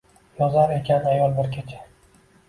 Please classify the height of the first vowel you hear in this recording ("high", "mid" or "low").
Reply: low